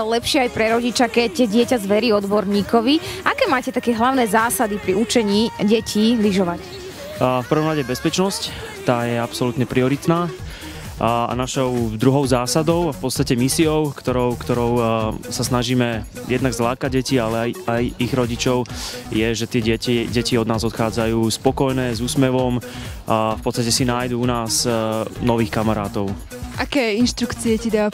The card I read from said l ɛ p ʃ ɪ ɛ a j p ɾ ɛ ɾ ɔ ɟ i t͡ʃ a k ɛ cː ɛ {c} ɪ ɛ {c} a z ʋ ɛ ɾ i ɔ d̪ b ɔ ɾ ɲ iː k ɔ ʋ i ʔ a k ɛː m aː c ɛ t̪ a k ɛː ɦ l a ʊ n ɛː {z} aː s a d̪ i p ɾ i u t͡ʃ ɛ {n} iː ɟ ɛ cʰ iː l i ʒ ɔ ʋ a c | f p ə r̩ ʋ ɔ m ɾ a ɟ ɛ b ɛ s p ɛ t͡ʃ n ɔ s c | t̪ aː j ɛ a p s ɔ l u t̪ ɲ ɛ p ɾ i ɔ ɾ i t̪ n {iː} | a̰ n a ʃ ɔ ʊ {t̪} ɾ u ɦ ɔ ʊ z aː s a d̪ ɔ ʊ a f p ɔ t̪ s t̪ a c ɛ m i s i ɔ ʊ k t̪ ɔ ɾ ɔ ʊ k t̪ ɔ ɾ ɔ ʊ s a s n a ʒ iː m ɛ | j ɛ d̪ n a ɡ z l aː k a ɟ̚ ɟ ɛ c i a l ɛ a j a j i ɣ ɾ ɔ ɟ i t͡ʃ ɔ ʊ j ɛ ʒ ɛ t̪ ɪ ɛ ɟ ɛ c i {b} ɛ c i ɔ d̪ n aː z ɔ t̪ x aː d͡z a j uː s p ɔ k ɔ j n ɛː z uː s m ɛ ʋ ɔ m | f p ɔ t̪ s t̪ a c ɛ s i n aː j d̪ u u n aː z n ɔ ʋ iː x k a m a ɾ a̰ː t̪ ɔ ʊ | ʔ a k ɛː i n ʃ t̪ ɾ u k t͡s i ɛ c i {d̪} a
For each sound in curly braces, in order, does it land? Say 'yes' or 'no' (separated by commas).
no, yes, yes, no, no, no, no, yes